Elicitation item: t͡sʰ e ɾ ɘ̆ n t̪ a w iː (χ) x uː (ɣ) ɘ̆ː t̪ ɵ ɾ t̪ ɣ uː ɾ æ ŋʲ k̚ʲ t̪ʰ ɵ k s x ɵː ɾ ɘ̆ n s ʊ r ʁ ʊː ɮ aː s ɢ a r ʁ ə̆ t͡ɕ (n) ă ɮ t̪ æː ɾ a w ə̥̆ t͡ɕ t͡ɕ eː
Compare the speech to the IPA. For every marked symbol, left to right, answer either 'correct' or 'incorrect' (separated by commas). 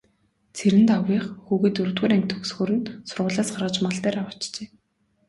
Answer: correct, correct, incorrect